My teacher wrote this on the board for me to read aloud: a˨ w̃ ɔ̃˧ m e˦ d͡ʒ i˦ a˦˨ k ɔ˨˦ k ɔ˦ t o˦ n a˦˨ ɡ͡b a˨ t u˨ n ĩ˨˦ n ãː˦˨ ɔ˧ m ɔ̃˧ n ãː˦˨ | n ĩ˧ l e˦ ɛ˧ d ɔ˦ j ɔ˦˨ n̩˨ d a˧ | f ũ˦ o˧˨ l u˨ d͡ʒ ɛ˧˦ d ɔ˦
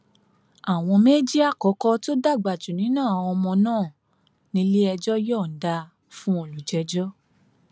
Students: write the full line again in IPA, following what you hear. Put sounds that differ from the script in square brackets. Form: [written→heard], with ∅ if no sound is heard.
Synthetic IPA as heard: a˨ w̃ ɔ̃˧ m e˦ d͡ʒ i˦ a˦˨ k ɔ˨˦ k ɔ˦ t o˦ [n→d] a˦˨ ɡ͡b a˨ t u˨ n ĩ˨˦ n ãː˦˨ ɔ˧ m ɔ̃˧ n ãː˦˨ | n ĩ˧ l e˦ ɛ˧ [d→d͡ʒ] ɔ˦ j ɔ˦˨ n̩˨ d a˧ | f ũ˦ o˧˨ l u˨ d͡ʒ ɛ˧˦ [d→d͡ʒ] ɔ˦